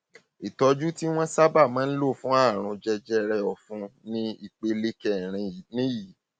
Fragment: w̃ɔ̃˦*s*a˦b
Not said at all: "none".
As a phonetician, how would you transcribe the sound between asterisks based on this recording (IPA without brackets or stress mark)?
s